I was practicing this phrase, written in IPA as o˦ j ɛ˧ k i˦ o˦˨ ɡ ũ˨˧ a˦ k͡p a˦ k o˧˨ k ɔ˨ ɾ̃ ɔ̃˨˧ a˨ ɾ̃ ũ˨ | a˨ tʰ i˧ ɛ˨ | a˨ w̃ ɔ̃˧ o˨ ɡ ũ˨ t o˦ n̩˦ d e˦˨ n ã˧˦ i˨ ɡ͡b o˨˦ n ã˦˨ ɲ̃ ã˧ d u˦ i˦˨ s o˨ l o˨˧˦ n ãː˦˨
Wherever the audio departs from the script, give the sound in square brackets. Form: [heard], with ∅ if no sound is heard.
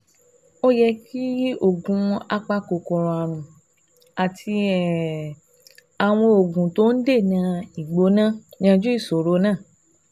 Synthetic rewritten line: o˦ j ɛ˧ k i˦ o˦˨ ɡ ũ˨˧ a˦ k͡p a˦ k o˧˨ k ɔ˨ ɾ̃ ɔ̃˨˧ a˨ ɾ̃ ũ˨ | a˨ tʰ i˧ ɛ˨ | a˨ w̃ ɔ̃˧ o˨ ɡ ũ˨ t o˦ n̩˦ d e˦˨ n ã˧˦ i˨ ɡ͡b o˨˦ n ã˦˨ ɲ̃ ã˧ [d͡ʒ] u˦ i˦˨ s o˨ [ɾ] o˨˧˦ n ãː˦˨